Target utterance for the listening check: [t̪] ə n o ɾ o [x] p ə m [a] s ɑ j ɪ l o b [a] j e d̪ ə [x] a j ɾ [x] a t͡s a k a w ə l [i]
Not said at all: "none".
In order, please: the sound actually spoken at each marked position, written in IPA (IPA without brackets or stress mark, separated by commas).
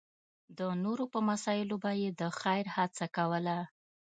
d̪, none, a, a, x, h, a